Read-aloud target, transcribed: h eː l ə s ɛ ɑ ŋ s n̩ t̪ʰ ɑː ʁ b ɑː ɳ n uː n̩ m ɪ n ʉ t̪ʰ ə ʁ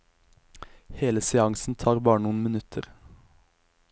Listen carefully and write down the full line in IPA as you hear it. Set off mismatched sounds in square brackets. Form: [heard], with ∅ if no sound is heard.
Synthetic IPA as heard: h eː l ə s ɛ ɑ ŋ s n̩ t̪ʰ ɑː ʁ b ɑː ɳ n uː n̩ m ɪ n ʉ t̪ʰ ə ʁ